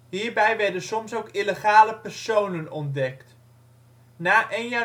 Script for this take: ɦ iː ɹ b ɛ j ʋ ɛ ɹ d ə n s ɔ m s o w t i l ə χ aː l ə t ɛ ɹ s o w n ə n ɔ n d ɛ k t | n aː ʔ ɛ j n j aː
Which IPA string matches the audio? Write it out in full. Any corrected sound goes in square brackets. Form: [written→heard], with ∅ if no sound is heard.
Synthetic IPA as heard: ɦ iː ɹ b ɛ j ʋ ɛ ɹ d ə n s ɔ m s o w [t→k] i l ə χ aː l ə [t→p] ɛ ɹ s o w n ə n ɔ n d ɛ k t | n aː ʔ [ɛ→e] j n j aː